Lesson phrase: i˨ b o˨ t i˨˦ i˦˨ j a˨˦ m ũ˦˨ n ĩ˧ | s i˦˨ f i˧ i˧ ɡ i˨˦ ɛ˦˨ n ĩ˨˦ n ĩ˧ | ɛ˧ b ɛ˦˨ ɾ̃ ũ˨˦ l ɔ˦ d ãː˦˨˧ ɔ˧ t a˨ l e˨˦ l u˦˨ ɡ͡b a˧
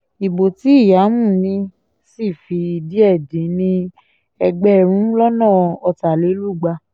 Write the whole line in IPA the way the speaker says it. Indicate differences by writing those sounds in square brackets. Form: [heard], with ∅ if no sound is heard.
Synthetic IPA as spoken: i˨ b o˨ t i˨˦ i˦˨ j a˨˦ m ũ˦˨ n ĩ˧ | s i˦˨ f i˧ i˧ [d] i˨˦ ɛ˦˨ [d] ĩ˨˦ n ĩ˧ | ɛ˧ [ɡ͡b] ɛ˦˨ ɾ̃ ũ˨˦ l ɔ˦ [n] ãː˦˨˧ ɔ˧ t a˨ l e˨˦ l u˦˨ ɡ͡b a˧

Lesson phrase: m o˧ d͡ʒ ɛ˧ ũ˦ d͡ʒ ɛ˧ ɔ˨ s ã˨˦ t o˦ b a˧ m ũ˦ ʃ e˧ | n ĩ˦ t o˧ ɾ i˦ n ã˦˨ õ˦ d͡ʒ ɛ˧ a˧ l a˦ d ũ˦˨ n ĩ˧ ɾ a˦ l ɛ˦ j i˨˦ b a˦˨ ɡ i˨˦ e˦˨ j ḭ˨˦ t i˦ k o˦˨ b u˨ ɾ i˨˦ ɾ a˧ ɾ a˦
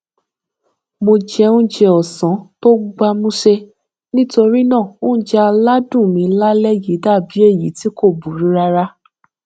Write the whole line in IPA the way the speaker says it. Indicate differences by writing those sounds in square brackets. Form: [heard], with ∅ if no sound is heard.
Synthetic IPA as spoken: m o˧ d͡ʒ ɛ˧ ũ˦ d͡ʒ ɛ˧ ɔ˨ s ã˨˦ t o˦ [ɡ͡b] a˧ m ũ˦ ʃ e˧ | n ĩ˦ t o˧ ɾ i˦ n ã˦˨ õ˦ d͡ʒ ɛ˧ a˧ l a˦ d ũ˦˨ [m] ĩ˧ [l] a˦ l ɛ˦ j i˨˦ [d] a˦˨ [b] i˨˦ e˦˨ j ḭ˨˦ t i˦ k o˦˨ b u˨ ɾ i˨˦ ɾ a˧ ɾ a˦

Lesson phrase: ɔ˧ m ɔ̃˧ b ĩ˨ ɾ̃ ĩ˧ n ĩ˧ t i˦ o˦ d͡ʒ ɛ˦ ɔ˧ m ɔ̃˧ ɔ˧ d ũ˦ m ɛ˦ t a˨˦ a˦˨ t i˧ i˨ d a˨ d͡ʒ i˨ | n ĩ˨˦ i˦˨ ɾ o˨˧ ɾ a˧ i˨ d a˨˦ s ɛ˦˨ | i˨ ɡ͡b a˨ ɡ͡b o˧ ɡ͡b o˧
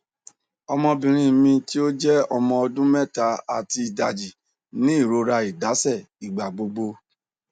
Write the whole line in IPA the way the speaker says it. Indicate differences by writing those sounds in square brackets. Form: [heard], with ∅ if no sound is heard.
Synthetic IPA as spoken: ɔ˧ m ɔ̃˧ b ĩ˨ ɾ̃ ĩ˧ [m] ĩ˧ t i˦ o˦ d͡ʒ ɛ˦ ɔ˧ m ɔ̃˧ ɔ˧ d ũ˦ m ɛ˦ t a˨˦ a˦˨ t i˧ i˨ d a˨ d͡ʒ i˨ | n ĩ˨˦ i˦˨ ɾ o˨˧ ɾ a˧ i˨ d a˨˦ s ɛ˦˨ | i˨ ɡ͡b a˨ ɡ͡b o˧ ɡ͡b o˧

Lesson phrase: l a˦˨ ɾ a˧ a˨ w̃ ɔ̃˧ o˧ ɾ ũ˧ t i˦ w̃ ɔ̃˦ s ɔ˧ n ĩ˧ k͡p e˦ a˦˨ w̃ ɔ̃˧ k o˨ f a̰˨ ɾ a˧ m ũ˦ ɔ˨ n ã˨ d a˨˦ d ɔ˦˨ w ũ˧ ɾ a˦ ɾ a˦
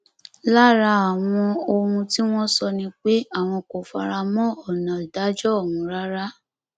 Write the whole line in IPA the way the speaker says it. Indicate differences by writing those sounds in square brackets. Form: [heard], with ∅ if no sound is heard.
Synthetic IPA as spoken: l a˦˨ ɾ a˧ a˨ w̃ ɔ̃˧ o˧ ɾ ũ˧ t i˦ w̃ ɔ̃˦ s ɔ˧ n ĩ˧ k͡p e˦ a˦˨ w̃ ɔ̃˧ k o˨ f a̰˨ ɾ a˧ m [ɔ̃˦] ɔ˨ n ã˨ d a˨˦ [d͡ʒ] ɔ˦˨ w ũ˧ ɾ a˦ ɾ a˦

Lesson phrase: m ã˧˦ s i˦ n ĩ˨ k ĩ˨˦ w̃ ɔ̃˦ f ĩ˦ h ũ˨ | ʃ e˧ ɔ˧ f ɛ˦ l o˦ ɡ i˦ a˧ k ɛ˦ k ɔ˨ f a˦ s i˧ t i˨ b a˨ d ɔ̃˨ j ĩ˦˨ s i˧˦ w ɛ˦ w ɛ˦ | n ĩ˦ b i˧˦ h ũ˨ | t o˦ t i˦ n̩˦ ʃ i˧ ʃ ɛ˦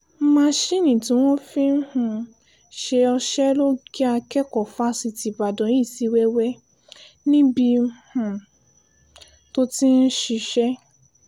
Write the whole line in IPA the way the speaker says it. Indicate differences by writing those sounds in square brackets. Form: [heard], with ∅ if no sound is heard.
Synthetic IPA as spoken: m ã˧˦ [ʃ] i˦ n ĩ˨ [t] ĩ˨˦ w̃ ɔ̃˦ f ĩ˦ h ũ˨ | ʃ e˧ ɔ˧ [ʃ] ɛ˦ l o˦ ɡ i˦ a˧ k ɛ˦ k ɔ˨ f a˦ s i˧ t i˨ b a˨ d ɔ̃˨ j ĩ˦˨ s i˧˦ w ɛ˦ w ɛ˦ | n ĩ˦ b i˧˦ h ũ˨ | t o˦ t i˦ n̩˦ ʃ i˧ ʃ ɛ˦

